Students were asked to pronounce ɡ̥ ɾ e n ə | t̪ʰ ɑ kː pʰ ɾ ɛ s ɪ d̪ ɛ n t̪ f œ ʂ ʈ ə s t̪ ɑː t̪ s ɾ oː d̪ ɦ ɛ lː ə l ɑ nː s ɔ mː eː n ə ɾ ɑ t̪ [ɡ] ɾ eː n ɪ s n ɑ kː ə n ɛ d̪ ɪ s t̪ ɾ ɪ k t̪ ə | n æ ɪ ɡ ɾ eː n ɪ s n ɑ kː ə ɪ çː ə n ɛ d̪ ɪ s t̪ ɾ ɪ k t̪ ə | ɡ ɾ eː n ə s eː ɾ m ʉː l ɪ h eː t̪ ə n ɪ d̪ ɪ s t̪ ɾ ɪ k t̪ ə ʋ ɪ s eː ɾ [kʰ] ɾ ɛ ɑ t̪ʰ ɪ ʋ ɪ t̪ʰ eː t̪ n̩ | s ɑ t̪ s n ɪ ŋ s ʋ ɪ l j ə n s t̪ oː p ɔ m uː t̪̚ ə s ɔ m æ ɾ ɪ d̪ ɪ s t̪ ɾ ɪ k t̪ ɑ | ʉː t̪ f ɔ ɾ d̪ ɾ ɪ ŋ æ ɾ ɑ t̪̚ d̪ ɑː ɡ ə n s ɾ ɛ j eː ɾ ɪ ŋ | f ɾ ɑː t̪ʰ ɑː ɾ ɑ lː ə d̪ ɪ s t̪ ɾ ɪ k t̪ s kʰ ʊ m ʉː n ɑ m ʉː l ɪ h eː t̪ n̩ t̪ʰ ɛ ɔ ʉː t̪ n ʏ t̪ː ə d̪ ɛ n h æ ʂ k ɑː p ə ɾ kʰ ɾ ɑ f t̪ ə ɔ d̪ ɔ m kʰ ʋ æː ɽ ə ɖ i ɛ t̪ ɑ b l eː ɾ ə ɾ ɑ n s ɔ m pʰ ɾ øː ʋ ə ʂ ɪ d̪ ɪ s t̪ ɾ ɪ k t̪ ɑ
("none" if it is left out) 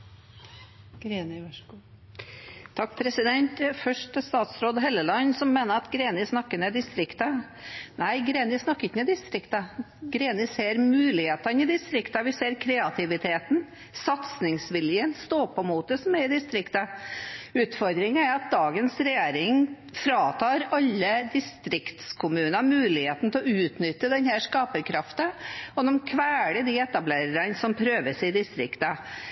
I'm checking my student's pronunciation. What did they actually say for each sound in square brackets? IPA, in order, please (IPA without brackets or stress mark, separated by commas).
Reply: ɡ, kʰ